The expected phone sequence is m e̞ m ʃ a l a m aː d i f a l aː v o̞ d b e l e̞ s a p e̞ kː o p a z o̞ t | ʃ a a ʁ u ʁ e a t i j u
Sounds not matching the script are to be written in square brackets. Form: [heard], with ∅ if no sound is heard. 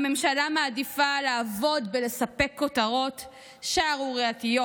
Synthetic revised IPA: m e̞ m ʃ a l a m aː d i f a l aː v o̞ d b e l e̞ s a p e̞ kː o [t] a [ʁ] o̞ t | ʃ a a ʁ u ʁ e a t i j [o]